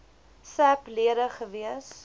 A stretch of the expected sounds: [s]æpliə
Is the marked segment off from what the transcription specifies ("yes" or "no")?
no